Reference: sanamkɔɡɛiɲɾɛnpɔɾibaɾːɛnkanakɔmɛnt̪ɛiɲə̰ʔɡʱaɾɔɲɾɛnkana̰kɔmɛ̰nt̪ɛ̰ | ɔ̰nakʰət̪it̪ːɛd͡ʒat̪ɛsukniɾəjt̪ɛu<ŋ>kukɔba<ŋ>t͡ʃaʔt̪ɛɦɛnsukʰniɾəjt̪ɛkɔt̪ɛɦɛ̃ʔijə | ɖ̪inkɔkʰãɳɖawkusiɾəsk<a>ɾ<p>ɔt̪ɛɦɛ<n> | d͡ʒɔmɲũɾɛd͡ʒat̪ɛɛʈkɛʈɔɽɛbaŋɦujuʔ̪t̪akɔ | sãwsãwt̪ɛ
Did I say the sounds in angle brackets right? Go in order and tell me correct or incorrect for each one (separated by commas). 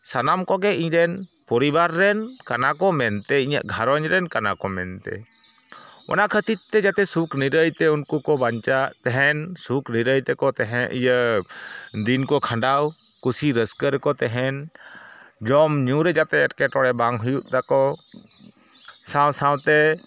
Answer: incorrect, incorrect, incorrect, incorrect, correct